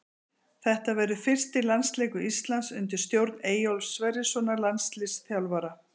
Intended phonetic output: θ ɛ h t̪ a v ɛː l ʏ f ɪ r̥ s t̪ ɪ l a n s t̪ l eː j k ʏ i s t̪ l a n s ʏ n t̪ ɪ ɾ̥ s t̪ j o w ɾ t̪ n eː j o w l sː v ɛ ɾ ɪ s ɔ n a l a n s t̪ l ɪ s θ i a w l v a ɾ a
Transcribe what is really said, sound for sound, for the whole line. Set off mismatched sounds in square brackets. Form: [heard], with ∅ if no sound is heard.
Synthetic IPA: θ ɛ h t̪ a v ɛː [ɾ] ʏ f ɪ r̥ s t̪ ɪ l a n s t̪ l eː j k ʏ i s t̪ l a n s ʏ n t̪ ɪ ɾ̥ s t̪ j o w ɾ t̪ n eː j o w l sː v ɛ ɾ ɪ s ɔ n a l a n s t̪ l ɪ s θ [j] a w l v a ɾ a